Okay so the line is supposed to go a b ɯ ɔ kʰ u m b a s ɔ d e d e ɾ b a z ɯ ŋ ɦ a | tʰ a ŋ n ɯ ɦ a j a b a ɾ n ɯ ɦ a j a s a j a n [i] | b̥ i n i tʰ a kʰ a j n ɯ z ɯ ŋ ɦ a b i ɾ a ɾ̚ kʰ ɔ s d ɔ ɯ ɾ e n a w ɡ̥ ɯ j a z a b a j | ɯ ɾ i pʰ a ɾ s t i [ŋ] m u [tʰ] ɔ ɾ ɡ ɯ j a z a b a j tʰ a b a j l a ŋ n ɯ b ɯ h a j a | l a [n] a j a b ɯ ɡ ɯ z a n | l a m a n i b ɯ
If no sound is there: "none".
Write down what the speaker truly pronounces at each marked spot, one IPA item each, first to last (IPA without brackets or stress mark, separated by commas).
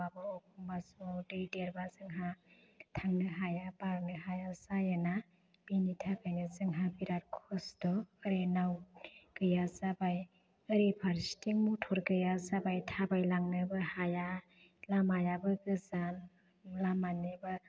a, ŋ, tʰ, m